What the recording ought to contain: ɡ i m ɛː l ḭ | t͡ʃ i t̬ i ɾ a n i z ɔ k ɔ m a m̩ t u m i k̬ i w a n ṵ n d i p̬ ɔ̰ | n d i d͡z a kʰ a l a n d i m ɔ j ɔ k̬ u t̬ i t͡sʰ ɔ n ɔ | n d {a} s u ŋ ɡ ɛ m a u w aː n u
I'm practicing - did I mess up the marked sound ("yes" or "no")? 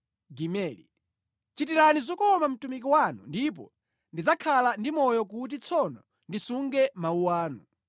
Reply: yes